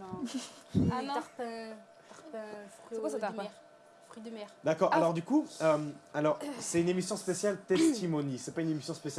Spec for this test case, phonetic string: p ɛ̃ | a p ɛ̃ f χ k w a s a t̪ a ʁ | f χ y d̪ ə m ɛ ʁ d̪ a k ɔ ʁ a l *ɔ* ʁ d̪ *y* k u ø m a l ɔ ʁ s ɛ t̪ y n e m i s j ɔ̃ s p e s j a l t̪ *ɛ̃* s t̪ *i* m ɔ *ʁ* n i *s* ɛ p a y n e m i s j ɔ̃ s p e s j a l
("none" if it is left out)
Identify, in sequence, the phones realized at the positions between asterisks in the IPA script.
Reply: ɔ, y, ɛ, i, none, s

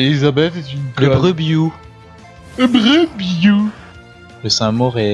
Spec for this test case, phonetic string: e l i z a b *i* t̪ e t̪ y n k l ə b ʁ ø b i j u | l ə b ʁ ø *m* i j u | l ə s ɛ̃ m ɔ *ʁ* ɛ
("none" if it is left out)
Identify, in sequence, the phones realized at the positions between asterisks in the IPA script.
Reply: ɛ, b, ʁ

